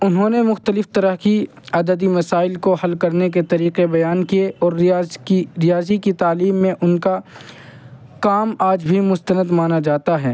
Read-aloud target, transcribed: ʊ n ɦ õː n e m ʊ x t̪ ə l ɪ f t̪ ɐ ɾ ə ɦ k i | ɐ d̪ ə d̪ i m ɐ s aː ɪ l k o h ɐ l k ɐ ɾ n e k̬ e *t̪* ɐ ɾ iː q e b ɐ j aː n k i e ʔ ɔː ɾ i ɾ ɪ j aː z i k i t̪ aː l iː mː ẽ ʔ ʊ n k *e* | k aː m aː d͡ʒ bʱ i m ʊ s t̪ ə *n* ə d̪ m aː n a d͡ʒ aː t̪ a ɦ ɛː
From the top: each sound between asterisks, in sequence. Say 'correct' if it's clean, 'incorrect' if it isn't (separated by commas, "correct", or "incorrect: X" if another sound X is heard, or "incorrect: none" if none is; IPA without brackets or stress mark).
correct, incorrect: a, correct